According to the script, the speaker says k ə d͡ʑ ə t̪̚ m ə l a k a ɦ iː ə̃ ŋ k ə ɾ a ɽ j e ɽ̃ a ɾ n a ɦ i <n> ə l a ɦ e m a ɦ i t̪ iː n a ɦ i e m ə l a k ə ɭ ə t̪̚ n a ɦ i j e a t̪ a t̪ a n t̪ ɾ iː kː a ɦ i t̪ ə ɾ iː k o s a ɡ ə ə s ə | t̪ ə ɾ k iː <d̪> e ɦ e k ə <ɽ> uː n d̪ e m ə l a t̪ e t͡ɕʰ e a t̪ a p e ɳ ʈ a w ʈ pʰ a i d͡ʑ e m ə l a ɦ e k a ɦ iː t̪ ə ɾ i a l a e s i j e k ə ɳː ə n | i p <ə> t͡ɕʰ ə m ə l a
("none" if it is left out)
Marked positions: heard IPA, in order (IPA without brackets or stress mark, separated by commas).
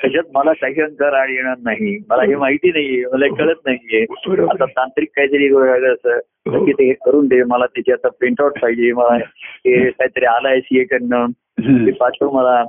m, t̪, ɾ, a